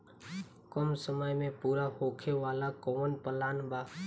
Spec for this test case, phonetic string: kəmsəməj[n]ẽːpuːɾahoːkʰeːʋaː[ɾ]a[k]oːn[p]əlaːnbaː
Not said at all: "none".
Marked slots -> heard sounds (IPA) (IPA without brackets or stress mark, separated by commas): m, l, k, p